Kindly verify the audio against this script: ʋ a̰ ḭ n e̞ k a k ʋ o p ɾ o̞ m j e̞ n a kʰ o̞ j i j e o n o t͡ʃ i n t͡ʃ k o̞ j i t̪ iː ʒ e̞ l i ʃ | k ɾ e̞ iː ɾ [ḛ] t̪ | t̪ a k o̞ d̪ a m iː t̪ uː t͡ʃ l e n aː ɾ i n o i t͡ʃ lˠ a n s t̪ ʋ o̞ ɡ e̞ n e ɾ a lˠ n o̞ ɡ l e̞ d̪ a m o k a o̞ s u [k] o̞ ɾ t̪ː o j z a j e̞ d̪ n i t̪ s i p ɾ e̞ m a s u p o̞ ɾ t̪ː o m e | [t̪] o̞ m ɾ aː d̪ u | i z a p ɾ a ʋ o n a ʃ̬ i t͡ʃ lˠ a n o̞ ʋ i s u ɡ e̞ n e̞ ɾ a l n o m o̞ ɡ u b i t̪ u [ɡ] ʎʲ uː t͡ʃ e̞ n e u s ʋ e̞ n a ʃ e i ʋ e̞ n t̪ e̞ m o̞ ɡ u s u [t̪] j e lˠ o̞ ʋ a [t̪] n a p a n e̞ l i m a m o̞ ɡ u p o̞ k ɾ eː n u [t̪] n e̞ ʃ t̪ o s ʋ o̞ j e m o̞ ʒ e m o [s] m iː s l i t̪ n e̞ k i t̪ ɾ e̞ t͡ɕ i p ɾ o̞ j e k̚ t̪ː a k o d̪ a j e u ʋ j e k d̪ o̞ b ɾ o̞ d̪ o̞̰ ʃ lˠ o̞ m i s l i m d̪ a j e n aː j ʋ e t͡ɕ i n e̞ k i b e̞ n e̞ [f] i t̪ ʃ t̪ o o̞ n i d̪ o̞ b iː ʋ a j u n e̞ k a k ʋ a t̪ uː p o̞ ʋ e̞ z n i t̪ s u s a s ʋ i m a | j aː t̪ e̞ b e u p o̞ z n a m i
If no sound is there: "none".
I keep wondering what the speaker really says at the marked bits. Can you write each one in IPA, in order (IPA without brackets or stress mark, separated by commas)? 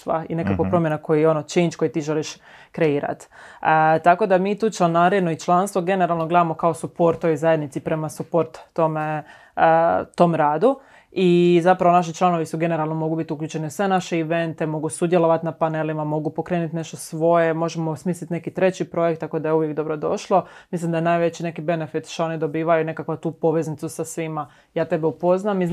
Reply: a̰, p, t̪, k, d̪, t̪, t̪, s, f